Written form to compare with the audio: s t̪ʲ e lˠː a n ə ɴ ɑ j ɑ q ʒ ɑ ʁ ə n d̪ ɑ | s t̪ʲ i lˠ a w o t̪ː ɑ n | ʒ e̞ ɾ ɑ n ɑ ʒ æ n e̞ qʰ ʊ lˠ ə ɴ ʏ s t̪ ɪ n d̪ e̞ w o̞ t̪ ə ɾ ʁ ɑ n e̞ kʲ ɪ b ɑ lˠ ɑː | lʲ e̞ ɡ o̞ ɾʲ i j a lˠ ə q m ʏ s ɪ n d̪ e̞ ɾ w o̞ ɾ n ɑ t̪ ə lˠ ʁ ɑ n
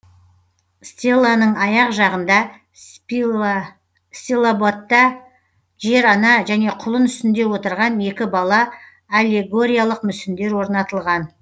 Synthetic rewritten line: s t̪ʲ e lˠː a n ə ɴ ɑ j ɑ q ʒ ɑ ʁ ə n d̪ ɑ | s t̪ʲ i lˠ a b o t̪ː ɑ | ʒ e̞ ɾ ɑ n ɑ ʒ æ n e̞ qʰ ʊ lˠ ə n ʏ s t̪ ɪ n d̪ e̞ w o̞ t̪ ə ɾ ʁ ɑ n e̞ kʲ ɪ b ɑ lˠ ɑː | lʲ e̞ ɡ o̞ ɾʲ i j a lˠ ə q m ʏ s ɪ n d̪ e̞ ɾ w o̞ ɾ n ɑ t̪ ə lˠ ʁ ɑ n